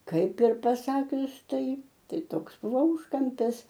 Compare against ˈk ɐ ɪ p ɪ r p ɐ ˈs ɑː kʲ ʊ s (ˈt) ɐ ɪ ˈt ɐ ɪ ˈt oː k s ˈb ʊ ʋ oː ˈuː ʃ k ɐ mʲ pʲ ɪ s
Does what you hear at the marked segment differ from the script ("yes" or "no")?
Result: no